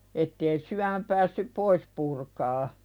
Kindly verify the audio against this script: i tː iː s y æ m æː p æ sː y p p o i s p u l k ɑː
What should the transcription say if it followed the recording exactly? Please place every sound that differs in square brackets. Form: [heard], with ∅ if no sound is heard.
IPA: [e] tː [eː] s y æ m [æ] p [æː] sː y p p o i s p u [r] k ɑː